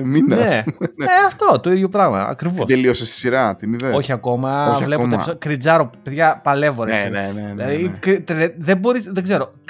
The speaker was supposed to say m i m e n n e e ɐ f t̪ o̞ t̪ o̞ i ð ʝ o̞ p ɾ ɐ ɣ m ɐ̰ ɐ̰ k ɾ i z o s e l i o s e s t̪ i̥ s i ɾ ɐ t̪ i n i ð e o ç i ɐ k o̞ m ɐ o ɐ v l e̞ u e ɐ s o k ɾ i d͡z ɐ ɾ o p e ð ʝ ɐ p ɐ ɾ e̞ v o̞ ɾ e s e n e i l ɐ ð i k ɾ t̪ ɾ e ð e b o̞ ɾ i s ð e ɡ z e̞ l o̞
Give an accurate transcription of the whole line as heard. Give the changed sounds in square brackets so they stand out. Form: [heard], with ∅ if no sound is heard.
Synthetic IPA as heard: m i [n] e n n e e ɐ f t̪ o̞ t̪ o̞ i ð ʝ o̞ p ɾ ɐ ɣ m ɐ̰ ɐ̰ k ɾ i [v] o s e l i o s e s t̪ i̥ s i ɾ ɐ t̪ i n i ð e o ç i ɐ k o̞ m ɐ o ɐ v l e̞ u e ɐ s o k ɾ i d͡z ɐ ɾ o p e ð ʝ ɐ p ɐ [l] e̞ v o̞ ɾ e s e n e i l ɐ ð i k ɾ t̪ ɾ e ð e b o̞ ɾ i s ð e ɡ z e̞ [ɾ] o̞